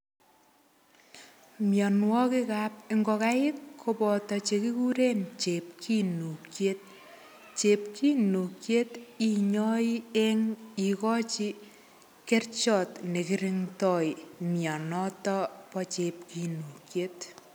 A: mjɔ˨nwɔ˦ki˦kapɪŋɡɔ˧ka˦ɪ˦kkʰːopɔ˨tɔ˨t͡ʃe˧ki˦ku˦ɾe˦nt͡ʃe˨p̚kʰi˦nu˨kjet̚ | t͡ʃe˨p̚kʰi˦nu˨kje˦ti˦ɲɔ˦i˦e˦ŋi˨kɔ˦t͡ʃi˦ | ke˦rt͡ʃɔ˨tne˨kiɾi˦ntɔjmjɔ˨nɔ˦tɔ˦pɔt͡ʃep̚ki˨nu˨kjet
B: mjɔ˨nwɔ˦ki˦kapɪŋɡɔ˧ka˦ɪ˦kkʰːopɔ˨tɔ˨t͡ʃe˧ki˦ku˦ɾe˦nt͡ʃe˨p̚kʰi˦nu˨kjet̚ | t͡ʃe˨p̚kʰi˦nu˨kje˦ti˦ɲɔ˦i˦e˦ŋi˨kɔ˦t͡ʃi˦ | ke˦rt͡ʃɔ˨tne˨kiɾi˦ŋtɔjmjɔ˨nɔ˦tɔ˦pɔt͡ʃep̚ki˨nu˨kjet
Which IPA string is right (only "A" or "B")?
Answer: B